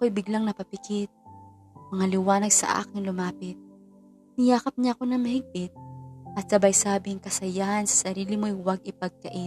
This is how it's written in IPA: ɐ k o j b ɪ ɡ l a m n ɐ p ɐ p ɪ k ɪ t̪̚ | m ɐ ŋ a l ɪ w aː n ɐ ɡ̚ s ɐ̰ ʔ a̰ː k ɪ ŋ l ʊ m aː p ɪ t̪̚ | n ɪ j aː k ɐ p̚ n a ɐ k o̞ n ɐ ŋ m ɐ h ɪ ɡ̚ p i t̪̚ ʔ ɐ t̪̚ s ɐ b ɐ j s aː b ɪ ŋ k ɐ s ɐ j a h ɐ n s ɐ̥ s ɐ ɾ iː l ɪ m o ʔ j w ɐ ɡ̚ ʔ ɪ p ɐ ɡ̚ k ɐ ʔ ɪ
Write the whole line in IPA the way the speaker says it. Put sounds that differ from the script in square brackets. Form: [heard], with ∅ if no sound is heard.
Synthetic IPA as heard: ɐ k o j b ɪ ɡ l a [ŋ] n ɐ p ɐ p ɪ k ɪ t̪̚ | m ɐ ŋ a l ɪ w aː n ɐ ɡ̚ s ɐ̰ ʔ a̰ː k ɪ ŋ l ʊ m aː p ɪ t̪̚ | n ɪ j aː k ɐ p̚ [ɲ] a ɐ k o̞ n ɐ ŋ m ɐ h ɪ ɡ̚ p [ɪ] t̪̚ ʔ ɐ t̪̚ s ɐ b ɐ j s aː b ɪ ŋ k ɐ s ɐ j a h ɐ n s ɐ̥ s ɐ ɾ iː l ɪ m o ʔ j w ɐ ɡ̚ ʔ ɪ p ɐ ɡ̚ k ɐ ʔ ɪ